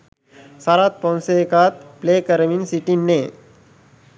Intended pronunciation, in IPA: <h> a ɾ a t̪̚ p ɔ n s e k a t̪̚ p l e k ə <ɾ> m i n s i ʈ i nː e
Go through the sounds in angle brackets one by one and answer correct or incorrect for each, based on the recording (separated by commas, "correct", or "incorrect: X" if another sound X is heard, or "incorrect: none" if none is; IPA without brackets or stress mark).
incorrect: s, correct